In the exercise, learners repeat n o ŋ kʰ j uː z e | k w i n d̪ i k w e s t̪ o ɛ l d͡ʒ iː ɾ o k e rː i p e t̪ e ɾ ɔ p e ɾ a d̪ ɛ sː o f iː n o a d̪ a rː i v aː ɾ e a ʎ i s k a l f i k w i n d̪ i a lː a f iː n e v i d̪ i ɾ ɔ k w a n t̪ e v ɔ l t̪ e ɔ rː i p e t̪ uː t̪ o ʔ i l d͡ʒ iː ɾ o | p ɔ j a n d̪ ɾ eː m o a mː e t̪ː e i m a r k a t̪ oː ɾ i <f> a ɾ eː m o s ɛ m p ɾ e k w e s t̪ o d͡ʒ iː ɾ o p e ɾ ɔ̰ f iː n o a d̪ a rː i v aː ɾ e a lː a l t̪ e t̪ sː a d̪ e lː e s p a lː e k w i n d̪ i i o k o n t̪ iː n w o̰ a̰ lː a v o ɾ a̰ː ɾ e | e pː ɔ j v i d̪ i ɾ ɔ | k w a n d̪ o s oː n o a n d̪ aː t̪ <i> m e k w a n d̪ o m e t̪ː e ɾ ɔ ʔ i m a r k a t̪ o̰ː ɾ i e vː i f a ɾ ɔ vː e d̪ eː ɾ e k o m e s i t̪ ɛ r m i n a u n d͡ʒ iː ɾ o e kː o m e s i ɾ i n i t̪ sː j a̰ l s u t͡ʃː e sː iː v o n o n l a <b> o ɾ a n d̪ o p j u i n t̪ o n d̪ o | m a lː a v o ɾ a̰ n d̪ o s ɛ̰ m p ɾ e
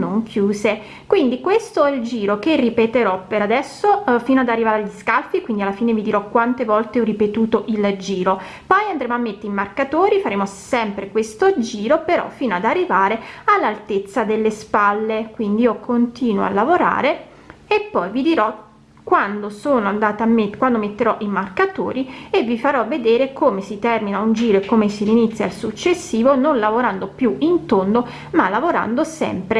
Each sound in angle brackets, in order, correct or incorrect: correct, incorrect: a, incorrect: v

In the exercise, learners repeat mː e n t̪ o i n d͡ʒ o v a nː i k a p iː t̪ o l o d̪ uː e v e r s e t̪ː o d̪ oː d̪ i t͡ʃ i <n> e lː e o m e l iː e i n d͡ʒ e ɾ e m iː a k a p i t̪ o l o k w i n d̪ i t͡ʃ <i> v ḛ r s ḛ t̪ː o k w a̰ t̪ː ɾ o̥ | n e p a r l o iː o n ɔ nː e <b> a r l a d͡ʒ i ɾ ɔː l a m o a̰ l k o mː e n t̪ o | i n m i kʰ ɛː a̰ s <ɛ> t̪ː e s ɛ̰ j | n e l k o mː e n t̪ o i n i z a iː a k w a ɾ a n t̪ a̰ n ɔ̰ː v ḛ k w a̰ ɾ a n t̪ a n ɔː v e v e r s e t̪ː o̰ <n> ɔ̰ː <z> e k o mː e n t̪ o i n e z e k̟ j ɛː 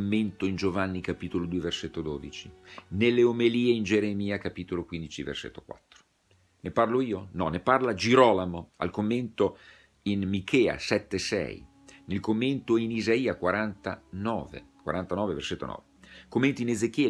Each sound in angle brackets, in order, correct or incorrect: correct, correct, incorrect: p, correct, correct, incorrect: v

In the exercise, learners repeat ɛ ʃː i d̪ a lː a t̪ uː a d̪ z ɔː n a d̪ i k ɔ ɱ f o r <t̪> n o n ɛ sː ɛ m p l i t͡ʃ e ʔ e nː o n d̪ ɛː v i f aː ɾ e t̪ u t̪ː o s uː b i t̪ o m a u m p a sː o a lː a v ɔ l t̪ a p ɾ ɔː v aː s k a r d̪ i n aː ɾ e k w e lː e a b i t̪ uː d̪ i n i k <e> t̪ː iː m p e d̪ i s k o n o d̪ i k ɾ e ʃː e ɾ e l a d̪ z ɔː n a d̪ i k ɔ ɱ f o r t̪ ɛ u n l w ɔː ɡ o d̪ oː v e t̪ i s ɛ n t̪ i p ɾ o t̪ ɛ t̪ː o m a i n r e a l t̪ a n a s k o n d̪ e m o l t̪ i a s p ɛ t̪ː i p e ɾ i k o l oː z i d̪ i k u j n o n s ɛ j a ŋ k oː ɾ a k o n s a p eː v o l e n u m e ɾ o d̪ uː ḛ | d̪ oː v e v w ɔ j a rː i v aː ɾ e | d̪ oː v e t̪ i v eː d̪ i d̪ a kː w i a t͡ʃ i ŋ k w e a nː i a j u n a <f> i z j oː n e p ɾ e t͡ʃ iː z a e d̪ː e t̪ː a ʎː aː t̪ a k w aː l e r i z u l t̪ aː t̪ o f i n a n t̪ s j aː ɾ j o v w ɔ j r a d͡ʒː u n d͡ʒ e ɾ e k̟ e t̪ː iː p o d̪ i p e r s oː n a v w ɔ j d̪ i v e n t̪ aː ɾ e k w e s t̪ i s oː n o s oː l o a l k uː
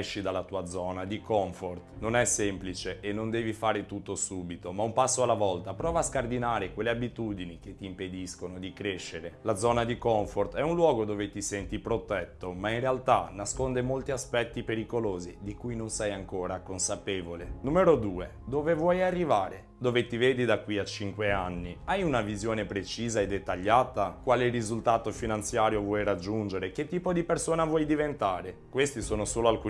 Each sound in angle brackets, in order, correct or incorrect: correct, correct, incorrect: v

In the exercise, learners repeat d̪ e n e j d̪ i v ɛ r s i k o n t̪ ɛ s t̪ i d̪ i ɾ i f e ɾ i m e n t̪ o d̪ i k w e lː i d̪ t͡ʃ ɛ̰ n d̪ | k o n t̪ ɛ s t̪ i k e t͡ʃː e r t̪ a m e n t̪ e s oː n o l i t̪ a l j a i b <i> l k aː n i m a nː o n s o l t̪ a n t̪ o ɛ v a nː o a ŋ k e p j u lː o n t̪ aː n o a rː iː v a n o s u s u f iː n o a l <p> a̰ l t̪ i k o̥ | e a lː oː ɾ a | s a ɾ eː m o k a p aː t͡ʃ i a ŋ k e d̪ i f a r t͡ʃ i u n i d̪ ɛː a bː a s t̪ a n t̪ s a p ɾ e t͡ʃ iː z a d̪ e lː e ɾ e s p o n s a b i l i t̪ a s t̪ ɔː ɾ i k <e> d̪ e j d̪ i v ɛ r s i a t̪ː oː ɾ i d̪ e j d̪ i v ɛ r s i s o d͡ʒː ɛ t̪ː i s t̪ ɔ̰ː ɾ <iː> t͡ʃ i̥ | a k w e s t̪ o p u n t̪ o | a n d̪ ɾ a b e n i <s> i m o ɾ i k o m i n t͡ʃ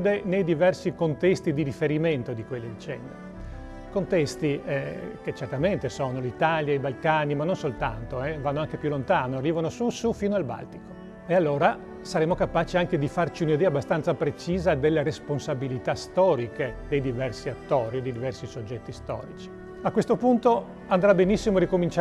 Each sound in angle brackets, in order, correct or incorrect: incorrect: a, incorrect: b, correct, incorrect: i, incorrect: sː

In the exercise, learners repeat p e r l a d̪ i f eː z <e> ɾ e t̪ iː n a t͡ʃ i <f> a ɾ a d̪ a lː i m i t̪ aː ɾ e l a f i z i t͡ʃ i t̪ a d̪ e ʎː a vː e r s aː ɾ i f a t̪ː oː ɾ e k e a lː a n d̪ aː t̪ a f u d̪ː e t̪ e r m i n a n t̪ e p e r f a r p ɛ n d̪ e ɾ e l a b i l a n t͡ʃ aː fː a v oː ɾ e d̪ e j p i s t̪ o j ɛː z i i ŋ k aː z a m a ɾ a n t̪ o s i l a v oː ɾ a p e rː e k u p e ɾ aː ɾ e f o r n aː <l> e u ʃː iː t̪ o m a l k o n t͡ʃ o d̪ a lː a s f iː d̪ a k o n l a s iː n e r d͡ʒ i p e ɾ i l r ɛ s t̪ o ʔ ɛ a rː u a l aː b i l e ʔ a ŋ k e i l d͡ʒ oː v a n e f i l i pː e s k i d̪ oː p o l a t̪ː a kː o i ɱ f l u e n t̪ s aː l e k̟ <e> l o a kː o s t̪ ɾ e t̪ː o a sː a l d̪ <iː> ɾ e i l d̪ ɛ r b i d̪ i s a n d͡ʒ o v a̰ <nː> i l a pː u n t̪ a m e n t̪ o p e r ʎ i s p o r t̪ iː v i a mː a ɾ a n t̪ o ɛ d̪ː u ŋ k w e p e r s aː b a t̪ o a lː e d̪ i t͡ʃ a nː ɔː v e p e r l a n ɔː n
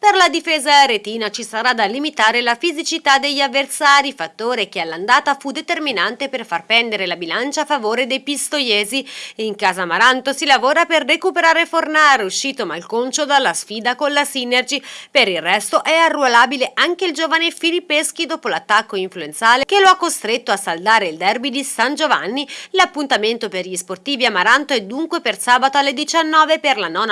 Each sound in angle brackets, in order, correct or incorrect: incorrect: a, incorrect: s, incorrect: ɾ, correct, incorrect: aː, correct

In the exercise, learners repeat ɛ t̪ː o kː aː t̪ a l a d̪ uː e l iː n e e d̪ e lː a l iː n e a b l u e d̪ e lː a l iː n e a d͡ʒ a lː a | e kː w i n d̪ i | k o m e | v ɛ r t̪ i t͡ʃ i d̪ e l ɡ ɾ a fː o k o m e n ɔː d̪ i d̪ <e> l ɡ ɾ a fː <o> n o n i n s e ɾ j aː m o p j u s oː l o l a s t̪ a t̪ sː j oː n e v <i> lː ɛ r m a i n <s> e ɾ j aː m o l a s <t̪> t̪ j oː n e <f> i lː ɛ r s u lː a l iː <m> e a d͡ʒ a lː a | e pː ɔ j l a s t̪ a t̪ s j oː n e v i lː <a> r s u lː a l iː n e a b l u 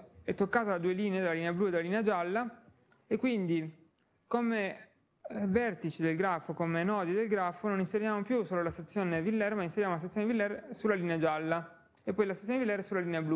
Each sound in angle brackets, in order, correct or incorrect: correct, correct, correct, correct, correct, incorrect: v, incorrect: n, incorrect: ɛ

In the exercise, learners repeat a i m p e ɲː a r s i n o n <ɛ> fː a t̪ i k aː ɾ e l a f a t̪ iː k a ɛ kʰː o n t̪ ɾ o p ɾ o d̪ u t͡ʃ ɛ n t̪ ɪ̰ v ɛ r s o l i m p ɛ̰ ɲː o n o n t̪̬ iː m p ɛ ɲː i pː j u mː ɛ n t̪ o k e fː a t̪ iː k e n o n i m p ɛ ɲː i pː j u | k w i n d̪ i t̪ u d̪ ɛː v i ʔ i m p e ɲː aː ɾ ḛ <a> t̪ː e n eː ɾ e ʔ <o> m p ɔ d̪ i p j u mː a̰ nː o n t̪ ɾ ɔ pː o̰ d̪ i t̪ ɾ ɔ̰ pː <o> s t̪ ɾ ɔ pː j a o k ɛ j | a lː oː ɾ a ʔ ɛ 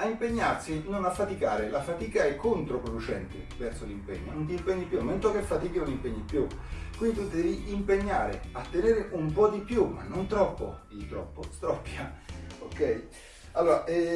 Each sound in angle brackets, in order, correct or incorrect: incorrect: a, correct, incorrect: u, correct

